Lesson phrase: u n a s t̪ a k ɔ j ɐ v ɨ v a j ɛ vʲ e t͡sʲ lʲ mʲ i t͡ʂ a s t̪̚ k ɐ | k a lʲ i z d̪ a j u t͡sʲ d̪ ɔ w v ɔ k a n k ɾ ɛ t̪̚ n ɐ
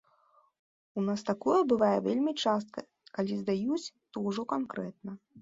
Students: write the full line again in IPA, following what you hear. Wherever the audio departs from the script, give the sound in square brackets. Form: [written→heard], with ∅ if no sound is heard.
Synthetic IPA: u n a s t̪ a k ɔ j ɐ [v→b] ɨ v a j ɛ vʲ e [t͡sʲ→∅] lʲ mʲ i t͡ʂ a s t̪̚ k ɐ | k a lʲ i z d̪ a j u t͡sʲ [d̪→t̪] ɔ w [v→ʐ] ɔ k a n k ɾ ɛ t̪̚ n ɐ